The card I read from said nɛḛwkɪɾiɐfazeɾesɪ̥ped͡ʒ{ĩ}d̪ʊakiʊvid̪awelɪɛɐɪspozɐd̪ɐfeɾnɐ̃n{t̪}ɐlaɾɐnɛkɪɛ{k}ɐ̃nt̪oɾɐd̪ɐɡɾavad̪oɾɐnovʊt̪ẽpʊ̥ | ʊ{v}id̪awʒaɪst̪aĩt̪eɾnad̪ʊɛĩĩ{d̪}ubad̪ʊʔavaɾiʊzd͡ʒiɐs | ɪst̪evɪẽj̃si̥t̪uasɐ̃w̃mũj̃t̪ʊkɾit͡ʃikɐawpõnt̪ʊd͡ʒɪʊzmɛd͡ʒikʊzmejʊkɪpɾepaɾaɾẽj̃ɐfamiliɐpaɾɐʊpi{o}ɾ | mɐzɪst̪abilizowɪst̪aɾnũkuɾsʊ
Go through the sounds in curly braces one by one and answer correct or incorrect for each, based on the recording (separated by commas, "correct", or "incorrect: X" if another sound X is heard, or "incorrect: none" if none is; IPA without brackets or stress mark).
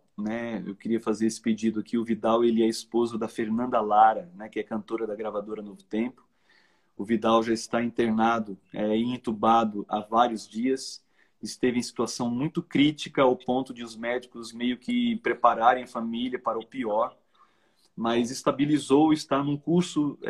incorrect: i, incorrect: d̪, correct, correct, incorrect: t̪, incorrect: ɔ